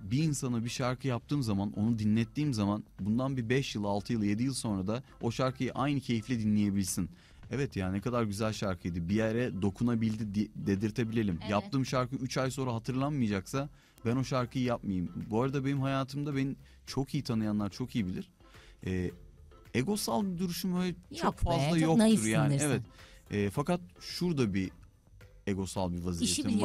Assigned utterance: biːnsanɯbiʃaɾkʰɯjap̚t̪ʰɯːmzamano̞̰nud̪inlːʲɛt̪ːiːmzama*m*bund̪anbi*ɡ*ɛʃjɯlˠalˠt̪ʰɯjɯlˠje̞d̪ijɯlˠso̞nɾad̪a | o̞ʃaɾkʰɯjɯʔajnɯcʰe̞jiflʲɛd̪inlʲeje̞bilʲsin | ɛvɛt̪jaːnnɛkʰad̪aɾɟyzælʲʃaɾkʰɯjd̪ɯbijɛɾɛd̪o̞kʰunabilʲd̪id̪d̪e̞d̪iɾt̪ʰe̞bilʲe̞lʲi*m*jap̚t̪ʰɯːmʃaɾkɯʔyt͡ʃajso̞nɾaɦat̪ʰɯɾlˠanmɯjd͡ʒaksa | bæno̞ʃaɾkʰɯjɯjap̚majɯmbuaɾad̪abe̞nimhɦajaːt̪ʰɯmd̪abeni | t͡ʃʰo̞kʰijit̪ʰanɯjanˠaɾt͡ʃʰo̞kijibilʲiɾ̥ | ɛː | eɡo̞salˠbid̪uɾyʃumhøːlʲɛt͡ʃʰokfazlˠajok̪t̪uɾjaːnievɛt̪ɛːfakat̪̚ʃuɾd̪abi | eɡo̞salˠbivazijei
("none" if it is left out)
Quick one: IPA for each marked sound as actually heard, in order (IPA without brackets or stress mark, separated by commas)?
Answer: n, b, m